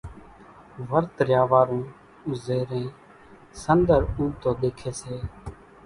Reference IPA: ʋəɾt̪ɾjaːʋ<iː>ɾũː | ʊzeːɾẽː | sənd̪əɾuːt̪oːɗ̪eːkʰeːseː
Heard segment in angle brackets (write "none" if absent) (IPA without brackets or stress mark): aː